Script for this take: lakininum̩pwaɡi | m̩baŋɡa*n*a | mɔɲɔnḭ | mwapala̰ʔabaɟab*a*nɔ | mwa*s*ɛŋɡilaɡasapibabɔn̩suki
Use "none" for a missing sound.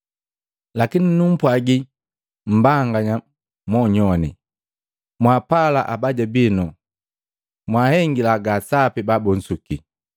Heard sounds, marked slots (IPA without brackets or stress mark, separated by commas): ɲ, i, h